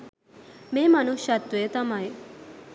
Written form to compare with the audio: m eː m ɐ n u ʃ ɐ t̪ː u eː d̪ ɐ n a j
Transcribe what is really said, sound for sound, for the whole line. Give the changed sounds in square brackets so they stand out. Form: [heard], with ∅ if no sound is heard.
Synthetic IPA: m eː m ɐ n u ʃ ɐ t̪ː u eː [t̪] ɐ [m] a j